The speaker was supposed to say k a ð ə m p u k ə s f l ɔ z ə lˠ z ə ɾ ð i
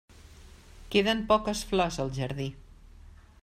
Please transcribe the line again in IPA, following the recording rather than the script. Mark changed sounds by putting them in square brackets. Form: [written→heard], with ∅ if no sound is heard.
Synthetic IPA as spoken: k [a→e] ð ə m p [u→ɔ] k ə s f l ɔ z ə lˠ [z→ʒ] ə ɾ ð i